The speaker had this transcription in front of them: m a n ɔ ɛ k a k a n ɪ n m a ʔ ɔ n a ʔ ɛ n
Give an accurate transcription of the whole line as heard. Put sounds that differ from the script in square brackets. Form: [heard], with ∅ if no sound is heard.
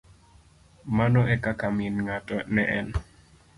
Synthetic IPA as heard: m a n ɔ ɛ k a k a [m] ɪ n [ŋ] a [t] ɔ n [ɛ] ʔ ɛ n